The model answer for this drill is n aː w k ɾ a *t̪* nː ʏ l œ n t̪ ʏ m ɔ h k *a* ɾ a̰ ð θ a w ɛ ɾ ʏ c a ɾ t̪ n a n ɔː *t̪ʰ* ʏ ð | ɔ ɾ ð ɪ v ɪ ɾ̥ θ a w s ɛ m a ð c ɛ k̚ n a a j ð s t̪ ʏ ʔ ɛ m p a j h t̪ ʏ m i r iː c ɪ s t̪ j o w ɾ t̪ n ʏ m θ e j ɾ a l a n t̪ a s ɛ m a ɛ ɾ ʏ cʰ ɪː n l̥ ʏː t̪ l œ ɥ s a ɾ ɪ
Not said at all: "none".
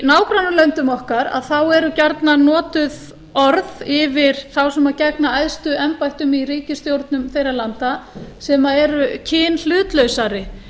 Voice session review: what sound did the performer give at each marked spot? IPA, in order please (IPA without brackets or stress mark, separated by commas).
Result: none, a, t̪